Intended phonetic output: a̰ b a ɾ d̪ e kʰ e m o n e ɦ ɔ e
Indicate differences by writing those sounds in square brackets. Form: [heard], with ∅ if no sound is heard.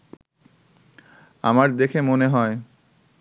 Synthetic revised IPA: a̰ [m] a ɾ d̪ e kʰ e m o n e ɦ ɔ e

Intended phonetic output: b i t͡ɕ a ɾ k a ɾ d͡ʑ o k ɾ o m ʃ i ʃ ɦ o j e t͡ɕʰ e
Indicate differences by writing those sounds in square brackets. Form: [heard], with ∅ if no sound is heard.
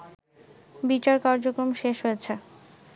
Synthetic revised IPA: b i t͡ɕ a ɾ k a ɾ d͡ʑ o k ɾ o m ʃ [e] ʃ ɦ o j e t͡ɕʰ e

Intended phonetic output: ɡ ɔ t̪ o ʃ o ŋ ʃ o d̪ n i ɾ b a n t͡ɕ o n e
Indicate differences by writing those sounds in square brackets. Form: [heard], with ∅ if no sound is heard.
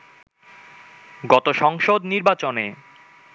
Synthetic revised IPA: ɡ ɔ t̪ o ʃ [ɔ] ŋ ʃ o d̪ n i ɾ b a [∅] t͡ɕ o n e

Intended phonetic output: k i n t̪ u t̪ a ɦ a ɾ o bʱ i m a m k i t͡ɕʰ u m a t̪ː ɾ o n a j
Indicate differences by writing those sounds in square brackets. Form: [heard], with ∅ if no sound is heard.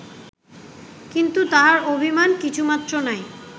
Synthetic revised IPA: k i n t̪ u t̪ a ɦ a ɾ o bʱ i m a [n] k i t͡ɕʰ u m a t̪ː ɾ o n a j

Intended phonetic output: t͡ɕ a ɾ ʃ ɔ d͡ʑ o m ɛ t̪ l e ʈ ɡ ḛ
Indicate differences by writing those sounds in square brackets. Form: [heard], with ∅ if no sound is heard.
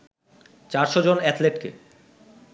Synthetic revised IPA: t͡ɕ a ɾ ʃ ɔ d͡ʑ o [n] ɛ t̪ l e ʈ [k] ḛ

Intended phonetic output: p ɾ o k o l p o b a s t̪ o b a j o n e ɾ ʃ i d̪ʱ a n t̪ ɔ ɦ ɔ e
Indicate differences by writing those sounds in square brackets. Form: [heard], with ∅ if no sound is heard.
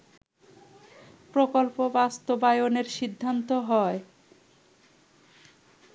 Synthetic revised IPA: p ɾ o k o l p o b a s t̪ o b a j o n e ɾ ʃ i [d̪ʱː] a n t̪ [o] ɦ ɔ e

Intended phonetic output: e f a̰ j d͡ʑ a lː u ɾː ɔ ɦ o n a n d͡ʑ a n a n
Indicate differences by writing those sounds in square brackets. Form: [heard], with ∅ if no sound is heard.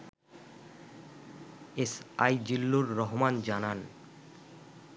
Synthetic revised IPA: e [s] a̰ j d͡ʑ [i] lː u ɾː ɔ ɦ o [m] a n d͡ʑ a n a n

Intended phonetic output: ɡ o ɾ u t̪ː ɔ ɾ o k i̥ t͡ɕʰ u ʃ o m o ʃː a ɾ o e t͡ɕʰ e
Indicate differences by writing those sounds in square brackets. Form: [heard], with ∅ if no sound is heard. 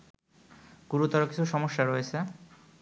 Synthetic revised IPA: ɡ [u] ɾ u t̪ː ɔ ɾ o k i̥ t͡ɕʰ u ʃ [ɔ] m o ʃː a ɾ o e t͡ɕʰ e

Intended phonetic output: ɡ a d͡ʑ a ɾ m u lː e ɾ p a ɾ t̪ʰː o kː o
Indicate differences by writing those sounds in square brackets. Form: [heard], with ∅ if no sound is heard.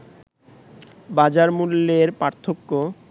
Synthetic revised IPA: [b] a d͡ʑ a ɾ m u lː e ɾ p a ɾ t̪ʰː o kː o

